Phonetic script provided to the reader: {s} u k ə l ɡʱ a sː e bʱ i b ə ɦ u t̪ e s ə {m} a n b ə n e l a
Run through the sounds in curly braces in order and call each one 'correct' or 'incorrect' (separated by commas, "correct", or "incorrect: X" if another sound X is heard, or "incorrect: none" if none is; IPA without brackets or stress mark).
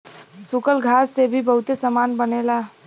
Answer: correct, correct